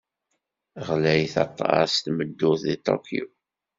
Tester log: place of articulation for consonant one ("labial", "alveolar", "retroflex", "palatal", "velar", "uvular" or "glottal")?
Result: uvular